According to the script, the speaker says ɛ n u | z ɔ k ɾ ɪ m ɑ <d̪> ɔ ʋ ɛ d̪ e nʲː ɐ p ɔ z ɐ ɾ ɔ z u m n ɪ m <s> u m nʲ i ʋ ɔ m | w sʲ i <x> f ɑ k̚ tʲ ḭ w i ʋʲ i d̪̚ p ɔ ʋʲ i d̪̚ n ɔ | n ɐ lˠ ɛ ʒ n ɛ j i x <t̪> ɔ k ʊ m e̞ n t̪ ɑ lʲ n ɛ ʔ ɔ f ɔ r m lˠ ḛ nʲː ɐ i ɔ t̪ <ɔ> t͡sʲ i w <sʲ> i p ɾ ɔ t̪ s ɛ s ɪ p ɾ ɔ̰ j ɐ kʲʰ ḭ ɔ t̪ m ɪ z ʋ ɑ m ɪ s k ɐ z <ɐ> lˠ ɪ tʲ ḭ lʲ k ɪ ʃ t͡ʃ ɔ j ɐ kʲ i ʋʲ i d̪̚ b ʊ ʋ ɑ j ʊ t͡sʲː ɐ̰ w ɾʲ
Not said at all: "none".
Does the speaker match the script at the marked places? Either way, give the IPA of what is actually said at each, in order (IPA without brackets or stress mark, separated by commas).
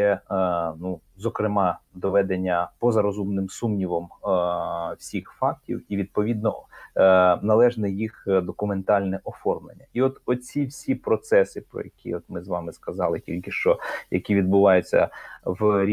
d̪, s, x, d̪, ɔ, sʲ, ɑ